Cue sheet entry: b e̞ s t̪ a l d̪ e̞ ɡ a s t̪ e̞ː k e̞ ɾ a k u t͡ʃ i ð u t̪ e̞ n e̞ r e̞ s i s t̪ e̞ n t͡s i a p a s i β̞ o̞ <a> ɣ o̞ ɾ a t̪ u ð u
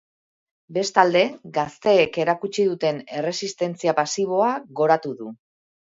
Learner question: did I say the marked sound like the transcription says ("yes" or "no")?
yes